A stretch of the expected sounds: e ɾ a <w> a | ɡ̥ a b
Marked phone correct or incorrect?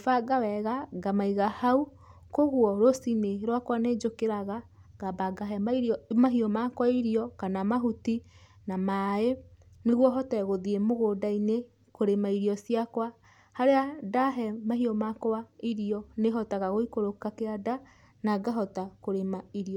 incorrect